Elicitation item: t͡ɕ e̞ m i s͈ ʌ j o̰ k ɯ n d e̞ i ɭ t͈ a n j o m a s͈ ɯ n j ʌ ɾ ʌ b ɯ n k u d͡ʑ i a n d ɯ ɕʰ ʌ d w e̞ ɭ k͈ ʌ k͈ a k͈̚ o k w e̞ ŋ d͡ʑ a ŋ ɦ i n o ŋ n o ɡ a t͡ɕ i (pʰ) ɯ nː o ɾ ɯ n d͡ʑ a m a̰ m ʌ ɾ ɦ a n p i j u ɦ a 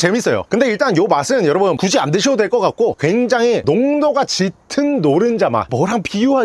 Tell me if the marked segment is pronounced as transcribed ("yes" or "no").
no